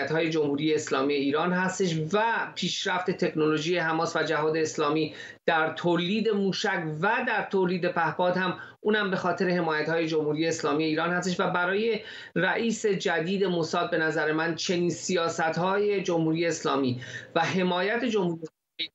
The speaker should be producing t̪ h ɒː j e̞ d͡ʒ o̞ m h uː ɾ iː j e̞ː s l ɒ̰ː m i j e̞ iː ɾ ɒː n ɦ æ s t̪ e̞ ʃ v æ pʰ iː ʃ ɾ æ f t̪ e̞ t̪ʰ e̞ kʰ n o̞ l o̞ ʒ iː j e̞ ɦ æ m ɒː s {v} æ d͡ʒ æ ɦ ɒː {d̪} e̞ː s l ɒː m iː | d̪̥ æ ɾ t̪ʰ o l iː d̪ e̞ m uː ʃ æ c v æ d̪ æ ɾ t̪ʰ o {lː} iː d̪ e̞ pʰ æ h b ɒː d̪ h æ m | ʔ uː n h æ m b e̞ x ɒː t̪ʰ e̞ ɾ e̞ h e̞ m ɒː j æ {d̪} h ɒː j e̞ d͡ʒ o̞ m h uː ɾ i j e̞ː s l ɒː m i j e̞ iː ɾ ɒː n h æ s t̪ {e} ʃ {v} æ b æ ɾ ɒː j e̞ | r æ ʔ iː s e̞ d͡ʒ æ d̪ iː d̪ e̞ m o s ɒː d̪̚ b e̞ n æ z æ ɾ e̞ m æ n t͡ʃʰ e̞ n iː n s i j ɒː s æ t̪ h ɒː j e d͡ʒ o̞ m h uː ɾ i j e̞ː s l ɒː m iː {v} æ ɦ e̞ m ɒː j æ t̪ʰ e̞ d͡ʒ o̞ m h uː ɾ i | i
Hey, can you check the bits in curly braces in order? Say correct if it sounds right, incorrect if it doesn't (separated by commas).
correct, correct, incorrect, incorrect, correct, correct, correct